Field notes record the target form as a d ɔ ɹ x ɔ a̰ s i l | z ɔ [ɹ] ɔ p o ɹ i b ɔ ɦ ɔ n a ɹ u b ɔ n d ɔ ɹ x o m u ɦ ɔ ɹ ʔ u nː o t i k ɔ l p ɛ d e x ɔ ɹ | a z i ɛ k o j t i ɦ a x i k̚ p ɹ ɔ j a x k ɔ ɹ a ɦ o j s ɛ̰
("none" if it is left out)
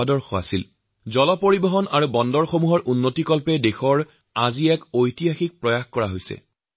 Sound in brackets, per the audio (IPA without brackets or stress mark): l